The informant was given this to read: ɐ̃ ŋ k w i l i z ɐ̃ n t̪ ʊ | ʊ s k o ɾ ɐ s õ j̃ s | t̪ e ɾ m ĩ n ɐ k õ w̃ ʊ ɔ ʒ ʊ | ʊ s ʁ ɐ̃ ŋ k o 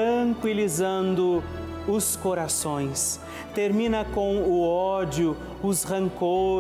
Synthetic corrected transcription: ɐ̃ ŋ k w i l i z ɐ̃ n d̪ ʊ | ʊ s k o ɾ a s õ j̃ s | t̪ e ɾ m ĩ n ɐ k õ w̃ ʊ ɔ d͡ʒ ʊ | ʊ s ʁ ɐ̃ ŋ k o